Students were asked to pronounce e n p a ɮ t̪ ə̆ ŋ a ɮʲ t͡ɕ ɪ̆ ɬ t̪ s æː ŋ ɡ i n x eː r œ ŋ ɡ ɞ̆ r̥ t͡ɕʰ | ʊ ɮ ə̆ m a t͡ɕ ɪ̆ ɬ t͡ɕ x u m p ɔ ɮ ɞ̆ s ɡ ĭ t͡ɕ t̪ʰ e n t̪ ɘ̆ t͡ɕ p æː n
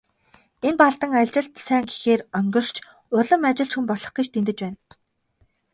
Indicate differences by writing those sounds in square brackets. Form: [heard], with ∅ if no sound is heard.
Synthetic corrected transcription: e n p a ɮ t̪ ə̆ ŋ a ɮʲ t͡ɕ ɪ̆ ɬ t̪ s æː ŋ ɡ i [∅] x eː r œ ŋ ɡ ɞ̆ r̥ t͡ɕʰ | ʊ ɮ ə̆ m a t͡ɕ ɪ̆ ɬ t͡ɕ x u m p ɔ ɮ ɞ̆ [χ] ɡ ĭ t͡ɕ t̪ʰ e n t̪ ɘ̆ t͡ɕ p æː n